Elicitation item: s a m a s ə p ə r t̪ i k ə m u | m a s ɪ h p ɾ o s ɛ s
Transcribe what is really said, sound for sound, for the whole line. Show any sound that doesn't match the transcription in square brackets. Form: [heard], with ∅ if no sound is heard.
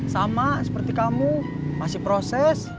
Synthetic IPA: s a m a s ə p ə r t̪ i k [a] m u | m a s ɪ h p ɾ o s ɛ s